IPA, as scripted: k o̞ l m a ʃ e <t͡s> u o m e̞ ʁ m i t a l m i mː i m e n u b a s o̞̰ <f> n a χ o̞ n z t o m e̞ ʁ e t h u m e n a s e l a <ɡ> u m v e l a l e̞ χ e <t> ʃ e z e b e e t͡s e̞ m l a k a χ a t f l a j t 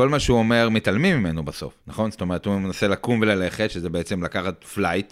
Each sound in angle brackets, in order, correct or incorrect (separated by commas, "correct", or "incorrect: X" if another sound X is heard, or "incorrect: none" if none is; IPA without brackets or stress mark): incorrect: none, correct, incorrect: k, correct